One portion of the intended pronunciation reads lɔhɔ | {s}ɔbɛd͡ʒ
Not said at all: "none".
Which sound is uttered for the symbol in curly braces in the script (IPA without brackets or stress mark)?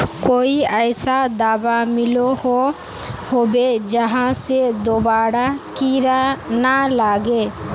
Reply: h